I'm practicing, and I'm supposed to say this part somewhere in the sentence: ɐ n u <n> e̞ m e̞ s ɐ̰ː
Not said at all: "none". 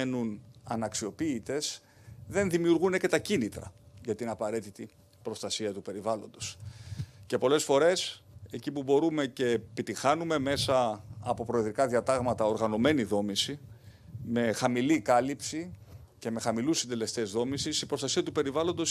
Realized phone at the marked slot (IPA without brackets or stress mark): m